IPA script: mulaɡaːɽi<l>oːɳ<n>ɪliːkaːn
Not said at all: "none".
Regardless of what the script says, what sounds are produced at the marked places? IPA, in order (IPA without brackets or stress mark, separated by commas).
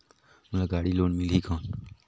l, m